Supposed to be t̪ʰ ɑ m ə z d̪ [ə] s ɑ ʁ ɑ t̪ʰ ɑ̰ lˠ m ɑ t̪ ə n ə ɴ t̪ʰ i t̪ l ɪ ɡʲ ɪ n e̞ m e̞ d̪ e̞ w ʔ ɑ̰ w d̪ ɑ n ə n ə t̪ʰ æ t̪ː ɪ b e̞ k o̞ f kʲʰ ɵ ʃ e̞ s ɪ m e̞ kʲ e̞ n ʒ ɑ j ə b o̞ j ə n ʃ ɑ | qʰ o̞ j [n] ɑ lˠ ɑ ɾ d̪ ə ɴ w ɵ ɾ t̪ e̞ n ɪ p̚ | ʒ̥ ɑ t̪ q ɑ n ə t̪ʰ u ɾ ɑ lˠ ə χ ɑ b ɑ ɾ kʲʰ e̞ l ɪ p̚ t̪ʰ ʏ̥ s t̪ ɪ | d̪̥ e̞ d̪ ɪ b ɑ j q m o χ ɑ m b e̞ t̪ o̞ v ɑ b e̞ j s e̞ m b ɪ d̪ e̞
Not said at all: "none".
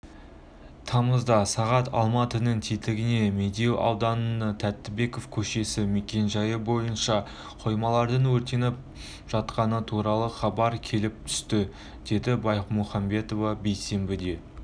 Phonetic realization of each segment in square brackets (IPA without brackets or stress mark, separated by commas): ɑ, m